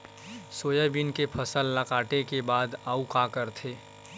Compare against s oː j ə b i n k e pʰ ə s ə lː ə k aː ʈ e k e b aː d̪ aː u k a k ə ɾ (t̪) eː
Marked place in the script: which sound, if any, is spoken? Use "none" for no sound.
t̪ʰ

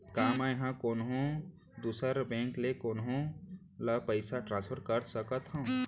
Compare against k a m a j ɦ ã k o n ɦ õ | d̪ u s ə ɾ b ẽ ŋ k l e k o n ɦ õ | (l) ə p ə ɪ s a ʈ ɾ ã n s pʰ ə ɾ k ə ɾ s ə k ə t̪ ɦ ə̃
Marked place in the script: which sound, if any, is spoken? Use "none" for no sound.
l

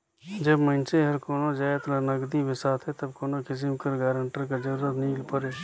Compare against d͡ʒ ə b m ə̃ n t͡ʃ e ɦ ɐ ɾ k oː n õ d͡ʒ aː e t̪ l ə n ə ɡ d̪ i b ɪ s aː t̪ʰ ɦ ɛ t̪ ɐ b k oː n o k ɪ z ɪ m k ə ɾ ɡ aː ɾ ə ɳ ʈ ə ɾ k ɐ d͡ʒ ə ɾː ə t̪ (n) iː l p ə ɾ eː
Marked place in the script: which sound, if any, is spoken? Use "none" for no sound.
n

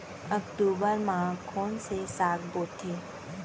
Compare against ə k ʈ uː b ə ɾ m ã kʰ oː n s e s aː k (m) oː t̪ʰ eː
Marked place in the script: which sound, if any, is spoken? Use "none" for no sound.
b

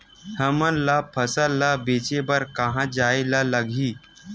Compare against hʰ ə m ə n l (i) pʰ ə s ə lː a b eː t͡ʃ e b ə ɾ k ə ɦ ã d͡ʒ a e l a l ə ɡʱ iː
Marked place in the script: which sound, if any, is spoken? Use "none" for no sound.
a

